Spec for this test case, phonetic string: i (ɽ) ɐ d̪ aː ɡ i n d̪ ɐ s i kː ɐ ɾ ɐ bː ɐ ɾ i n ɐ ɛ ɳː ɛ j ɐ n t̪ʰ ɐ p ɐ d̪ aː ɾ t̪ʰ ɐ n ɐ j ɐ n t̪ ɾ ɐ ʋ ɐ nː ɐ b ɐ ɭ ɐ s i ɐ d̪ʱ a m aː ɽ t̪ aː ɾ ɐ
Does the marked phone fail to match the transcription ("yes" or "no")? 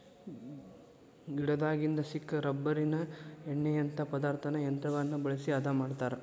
no